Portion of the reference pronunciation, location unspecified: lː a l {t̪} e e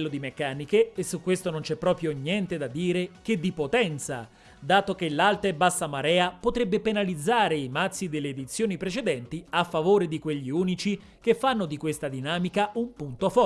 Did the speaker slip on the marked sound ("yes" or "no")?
no